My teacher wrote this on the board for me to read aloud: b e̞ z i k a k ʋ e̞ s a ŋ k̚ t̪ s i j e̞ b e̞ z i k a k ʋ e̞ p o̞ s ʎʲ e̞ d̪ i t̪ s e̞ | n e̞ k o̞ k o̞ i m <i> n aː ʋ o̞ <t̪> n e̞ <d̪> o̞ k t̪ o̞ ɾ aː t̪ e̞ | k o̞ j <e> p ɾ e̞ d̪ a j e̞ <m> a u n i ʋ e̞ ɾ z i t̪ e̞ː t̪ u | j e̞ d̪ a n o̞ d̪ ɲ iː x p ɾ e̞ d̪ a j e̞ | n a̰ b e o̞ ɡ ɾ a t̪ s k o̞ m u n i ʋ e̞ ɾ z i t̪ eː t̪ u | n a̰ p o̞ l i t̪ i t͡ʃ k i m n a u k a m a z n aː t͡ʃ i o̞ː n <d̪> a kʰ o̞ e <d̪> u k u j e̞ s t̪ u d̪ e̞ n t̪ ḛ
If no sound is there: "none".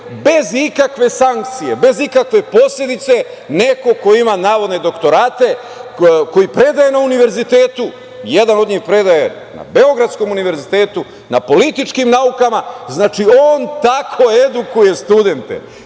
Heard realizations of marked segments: a, d̪, d̪, i, n, t̪, d̪

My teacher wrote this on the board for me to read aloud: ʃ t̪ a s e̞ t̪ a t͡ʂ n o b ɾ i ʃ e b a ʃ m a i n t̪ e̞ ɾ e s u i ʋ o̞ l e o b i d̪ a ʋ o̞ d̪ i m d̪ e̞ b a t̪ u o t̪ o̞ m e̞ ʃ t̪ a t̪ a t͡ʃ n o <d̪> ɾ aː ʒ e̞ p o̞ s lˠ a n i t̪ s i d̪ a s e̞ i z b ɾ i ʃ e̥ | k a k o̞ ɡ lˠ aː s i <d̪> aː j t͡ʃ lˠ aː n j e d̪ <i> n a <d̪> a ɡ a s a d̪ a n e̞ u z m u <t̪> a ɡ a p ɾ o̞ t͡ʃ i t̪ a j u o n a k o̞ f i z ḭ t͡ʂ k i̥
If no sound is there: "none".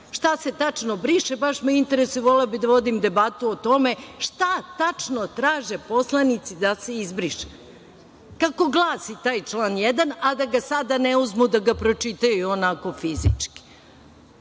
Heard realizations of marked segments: t̪, t̪, a, d̪, d̪

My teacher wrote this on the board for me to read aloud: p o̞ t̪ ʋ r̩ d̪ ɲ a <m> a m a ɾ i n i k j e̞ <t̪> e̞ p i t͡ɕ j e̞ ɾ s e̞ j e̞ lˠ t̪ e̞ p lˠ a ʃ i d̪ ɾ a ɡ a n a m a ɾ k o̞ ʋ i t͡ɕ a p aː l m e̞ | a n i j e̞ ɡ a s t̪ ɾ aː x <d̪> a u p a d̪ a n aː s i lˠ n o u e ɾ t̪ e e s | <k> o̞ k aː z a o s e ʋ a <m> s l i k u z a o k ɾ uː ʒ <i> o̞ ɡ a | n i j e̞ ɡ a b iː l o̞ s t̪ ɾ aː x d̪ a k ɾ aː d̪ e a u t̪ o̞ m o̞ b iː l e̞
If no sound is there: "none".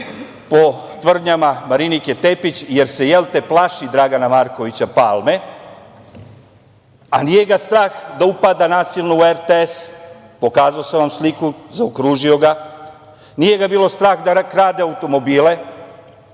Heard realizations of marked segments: m, t̪, d̪, p, m, i

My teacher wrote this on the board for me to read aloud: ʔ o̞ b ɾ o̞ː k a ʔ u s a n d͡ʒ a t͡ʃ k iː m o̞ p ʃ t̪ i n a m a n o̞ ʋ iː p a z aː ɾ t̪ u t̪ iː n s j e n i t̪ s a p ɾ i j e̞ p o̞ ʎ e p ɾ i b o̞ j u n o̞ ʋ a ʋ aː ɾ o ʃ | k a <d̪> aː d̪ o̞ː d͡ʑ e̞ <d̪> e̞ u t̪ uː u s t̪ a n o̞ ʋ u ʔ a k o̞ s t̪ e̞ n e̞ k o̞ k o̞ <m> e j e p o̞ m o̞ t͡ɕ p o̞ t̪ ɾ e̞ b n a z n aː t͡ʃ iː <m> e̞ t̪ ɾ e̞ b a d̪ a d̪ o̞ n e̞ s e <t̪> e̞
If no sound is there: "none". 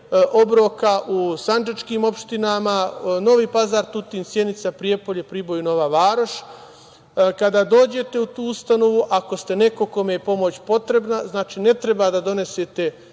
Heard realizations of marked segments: d̪, t̪, m, n, t̪

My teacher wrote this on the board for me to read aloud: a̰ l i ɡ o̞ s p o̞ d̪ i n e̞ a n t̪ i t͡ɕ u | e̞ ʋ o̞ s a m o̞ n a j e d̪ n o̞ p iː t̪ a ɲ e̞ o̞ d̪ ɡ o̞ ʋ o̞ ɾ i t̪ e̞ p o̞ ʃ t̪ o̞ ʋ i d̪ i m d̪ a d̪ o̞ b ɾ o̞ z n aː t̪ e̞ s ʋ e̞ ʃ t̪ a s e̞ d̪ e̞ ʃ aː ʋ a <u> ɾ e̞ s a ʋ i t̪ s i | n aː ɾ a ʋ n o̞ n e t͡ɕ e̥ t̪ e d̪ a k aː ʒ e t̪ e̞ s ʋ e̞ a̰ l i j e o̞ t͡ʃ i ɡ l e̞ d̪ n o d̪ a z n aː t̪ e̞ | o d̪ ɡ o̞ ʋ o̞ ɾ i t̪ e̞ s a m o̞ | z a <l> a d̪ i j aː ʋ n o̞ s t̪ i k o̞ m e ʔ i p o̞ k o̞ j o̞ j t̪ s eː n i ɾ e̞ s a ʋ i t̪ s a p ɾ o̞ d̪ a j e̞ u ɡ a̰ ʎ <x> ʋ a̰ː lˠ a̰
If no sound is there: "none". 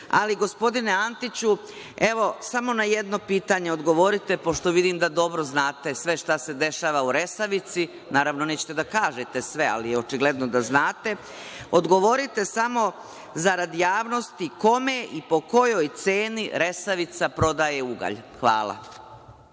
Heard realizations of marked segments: u, ɾ, x

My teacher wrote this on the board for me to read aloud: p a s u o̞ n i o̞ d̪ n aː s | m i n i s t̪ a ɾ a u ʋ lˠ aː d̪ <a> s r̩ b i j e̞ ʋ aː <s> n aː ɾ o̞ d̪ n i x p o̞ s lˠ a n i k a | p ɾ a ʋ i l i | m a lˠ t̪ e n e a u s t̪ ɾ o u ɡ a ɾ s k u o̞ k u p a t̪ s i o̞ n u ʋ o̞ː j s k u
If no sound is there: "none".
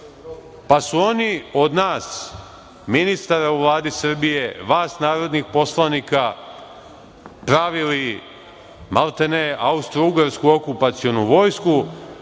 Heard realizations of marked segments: i, s

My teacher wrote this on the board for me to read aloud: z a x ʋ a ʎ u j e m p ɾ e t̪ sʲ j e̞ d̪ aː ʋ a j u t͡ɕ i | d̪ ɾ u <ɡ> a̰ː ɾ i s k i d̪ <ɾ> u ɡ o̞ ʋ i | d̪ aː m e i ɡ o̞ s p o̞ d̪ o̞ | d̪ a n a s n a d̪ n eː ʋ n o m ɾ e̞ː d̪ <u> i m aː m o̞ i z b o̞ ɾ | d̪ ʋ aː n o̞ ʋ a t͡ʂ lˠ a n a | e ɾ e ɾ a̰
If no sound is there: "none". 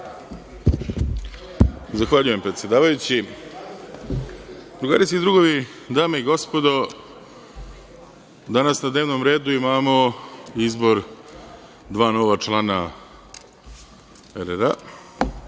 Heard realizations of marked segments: ɡ, ɾ, u

